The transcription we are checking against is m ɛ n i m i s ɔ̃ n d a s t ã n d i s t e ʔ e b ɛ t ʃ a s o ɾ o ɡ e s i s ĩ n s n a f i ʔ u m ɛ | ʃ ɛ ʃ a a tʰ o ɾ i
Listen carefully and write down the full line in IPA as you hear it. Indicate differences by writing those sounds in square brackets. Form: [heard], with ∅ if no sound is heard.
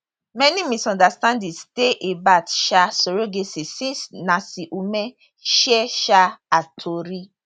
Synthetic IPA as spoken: m ɛ n i m i s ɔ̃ n d a s t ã n d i s t e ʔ e b [a] t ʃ a s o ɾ o ɡ e s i s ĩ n s n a [s] i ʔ u m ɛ | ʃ ɛ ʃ a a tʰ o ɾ i